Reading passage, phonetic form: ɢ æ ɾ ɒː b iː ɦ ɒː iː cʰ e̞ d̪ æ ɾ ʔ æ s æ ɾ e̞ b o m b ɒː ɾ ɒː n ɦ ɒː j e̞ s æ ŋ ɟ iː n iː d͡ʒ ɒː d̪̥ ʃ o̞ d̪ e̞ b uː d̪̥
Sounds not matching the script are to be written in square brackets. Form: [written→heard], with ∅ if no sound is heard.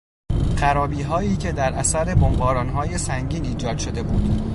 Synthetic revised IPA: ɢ æ ɾ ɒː b iː ɦ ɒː iː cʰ e̞ d̪ æ ɾ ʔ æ s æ ɾ e̞ b o m b ɒː ɾ ɒː n ɦ ɒː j e̞ s æ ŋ ɟ iː n iː d͡ʒ ɒː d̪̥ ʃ o̞ d̪ e̞ b uː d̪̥